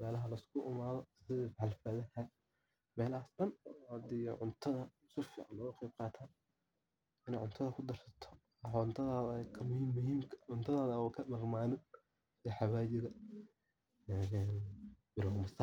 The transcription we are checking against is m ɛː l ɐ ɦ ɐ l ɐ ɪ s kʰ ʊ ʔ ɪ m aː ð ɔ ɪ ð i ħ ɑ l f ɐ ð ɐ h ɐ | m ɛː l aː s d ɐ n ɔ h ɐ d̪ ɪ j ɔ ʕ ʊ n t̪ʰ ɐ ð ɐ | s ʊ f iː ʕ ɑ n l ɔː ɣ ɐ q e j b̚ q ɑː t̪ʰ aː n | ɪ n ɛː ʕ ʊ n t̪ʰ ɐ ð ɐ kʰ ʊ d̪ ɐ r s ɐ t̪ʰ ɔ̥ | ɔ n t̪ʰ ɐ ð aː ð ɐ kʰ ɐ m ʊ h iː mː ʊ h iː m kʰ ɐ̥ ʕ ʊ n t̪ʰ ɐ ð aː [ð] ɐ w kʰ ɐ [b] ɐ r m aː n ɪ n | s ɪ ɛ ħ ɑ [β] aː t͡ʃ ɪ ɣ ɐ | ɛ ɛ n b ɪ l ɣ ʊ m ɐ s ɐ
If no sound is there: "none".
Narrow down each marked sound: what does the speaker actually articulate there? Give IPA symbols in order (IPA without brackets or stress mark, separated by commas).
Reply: ð, m, w